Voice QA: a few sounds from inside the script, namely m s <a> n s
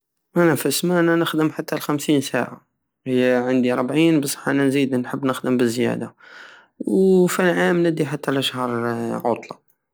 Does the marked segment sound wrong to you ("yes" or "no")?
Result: yes